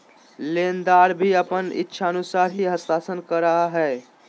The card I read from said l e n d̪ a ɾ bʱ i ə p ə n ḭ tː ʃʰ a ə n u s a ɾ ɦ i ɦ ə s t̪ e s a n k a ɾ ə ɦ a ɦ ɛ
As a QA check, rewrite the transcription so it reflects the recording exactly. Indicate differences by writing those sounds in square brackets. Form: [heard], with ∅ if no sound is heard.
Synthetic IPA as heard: l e n d̪ a ɾ bʱ i ə p ə n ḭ tː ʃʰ a ə n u s a ɾ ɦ i ɦ ə s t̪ [a] s [ə] n k [ə] ɾ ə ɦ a ɦ ɛ